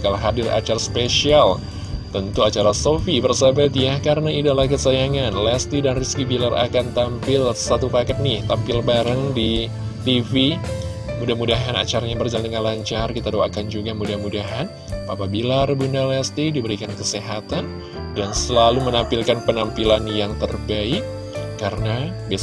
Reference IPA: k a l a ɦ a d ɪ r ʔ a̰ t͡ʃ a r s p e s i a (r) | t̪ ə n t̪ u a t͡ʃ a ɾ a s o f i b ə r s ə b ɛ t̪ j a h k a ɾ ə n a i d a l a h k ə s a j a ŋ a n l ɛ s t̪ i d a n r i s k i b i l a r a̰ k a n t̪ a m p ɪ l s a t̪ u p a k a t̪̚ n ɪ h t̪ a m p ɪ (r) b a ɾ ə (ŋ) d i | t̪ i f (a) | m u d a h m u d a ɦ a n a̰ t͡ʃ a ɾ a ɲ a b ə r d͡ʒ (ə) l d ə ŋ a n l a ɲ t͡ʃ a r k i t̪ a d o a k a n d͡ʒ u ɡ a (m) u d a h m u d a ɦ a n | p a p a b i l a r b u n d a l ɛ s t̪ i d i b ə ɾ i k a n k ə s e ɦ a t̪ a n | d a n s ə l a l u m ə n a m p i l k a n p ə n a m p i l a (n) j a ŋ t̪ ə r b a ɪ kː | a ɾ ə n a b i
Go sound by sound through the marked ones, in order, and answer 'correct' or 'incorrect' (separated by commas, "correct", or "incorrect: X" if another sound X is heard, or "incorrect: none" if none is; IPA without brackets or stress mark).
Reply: incorrect: l, incorrect: l, correct, incorrect: i, incorrect: a, correct, correct